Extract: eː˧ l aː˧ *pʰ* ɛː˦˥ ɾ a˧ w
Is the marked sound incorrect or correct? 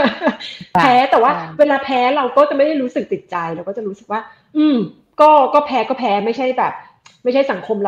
correct